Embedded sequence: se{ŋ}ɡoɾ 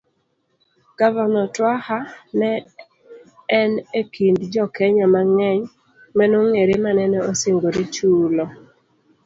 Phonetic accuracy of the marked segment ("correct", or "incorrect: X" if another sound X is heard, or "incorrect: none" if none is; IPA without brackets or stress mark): correct